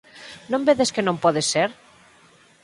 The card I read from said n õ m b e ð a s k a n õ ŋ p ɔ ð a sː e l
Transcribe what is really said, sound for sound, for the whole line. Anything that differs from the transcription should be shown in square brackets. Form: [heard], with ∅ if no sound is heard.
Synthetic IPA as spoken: n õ m b e ð [e] s k [e] n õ [m] p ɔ ð [e] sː e [ɾ]